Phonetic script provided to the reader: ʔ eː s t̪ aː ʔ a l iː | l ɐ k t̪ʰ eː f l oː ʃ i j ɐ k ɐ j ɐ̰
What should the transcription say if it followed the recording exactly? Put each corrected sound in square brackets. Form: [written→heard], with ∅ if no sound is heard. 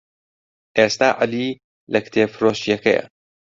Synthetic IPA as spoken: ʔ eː s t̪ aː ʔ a l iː | l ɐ k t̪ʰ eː f [l→ɾ] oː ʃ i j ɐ k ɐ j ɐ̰

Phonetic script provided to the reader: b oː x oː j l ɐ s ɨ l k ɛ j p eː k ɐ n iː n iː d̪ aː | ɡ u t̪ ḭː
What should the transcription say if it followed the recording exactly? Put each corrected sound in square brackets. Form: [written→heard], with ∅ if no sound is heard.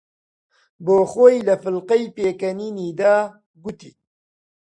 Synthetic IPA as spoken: b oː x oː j l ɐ [s→f] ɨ l [k→q] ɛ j p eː k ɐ n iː n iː d̪ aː | ɡ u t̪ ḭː

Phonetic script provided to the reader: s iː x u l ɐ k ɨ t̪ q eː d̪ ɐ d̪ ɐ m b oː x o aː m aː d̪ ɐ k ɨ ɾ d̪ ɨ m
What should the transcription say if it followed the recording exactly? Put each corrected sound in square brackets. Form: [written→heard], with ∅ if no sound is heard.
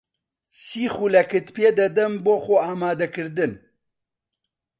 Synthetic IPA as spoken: s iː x u l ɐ k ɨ t̪ [q→p] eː d̪ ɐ d̪ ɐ m b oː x o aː m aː d̪ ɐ k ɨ ɾ d̪ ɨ [m→n]

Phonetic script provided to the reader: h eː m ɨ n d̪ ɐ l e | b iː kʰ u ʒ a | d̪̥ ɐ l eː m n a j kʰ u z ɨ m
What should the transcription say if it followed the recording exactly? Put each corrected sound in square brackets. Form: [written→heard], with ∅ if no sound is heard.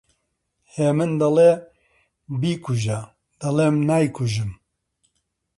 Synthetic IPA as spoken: h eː m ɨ n d̪ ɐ l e | b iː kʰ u ʒ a | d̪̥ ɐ l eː m n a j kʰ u [z→ʒ] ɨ m

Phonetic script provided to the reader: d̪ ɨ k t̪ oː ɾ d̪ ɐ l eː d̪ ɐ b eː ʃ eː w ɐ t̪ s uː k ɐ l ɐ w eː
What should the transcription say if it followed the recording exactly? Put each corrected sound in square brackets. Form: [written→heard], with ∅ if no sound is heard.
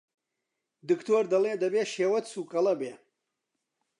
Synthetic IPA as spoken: d̪ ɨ k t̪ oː ɾ d̪ ɐ l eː d̪ ɐ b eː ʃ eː w ɐ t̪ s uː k ɐ l ɐ [w→b] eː

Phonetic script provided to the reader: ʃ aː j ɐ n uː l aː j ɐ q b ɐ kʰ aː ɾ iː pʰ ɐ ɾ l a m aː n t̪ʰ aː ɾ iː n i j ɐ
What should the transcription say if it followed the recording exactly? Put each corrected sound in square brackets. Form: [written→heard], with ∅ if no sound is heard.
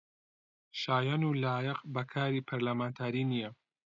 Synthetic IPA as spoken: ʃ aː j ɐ n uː l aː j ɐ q b ɐ kʰ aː ɾ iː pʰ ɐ ɾ l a m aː n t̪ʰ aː ɾ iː n i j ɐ

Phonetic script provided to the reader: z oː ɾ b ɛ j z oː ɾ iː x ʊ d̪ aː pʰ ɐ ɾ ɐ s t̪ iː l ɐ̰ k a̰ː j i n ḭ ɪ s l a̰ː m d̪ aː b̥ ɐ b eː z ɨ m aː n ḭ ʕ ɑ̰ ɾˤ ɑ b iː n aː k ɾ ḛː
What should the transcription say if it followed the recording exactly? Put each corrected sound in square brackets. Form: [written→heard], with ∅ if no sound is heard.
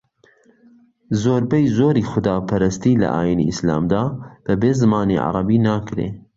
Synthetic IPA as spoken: z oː ɾ b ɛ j z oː ɾ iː x ʊ d̪ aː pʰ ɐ ɾ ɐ s t̪ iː l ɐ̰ [k→ʔ] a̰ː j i n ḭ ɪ s l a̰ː m d̪ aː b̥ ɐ b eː z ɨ m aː n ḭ ʕ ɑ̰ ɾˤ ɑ b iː n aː k ɾ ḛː

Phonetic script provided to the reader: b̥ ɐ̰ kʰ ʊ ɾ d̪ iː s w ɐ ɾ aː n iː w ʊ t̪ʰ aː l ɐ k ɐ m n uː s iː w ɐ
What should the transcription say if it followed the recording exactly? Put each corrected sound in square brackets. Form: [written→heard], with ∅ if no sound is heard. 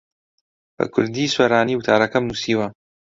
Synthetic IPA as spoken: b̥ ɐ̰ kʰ ʊ ɾ d̪ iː s w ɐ ɾ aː n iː w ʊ t̪ʰ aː [l→ɾ] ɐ k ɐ m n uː s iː w ɐ

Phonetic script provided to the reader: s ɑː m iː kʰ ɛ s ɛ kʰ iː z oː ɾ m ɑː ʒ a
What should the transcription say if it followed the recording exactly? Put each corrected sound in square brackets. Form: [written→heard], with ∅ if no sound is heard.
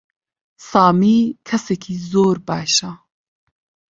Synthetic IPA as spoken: s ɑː m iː kʰ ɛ s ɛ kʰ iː z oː ɾ [m→b] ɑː [ʒ→ʃ] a

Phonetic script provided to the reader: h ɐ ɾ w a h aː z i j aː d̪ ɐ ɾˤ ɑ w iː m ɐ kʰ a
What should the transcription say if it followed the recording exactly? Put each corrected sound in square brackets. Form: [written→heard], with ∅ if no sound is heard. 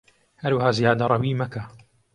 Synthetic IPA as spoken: h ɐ ɾ w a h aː z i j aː d̪ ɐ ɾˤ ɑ w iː m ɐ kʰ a

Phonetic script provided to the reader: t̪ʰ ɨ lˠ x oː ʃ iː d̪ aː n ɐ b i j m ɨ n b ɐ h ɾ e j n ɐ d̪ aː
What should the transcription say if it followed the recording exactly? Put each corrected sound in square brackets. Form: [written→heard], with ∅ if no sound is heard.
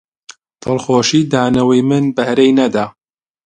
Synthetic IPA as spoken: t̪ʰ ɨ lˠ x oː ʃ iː d̪ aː n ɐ [b→w] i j m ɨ n b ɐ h ɾ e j n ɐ d̪ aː

